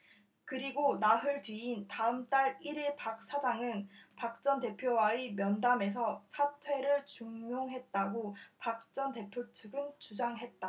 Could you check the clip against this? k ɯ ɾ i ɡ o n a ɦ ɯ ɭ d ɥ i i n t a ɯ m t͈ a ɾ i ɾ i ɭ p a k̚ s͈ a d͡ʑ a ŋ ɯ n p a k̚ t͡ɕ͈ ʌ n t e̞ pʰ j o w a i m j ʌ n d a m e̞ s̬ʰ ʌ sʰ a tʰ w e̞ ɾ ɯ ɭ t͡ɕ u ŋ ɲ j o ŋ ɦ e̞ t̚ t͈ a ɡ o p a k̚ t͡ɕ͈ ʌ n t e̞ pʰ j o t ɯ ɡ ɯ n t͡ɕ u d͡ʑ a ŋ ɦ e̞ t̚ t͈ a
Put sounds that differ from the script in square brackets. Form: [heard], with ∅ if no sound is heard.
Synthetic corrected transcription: k ɯ ɾ i ɡ o n a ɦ ɯ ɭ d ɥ i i n t a ɯ m t͈ a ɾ i ɾ i ɭ p a k̚ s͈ a d͡ʑ a ŋ ɯ n p a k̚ t͡ɕ͈ ʌ n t e̞ pʰ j o w a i m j ʌ n d a m e̞ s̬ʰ ʌ sʰ a tʰ w e̞ ɾ ɯ ɭ t͡ɕ u ŋ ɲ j o ŋ ɦ e̞ t̚ t͈ a ɡ o p a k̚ t͡ɕ͈ ʌ n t e̞ pʰ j o [t͡ɕʰ] ɯ ɡ ɯ n t͡ɕ u d͡ʑ a ŋ ɦ e̞ t̚ t͈ a